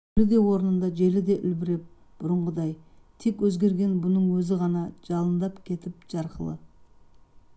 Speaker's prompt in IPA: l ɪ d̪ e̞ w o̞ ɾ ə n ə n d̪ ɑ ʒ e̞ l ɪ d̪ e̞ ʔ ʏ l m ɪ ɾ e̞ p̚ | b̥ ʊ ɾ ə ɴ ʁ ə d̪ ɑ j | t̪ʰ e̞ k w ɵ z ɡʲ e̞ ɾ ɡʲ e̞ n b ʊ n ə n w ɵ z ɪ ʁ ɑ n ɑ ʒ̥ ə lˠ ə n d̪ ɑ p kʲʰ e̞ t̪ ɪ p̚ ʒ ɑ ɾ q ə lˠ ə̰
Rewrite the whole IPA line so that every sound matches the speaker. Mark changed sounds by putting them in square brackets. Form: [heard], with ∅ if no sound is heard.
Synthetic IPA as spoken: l ɪ d̪ e̞ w o̞ ɾ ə n ə n d̪ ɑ ʒ e̞ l ɪ d̪ e̞ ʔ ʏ l [b] ɪ ɾ e̞ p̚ | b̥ ʊ ɾ ə ɴ ʁ ə d̪ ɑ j | t̪ʰ e̞ k w ɵ z ɡʲ e̞ ɾ ɡʲ e̞ n b ʊ n ə [ɴ] w ɵ z ɪ ʁ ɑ n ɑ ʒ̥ [ɑ] lˠ ə n d̪ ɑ p kʲʰ e̞ t̪ ɪ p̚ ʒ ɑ ɾ q ə lˠ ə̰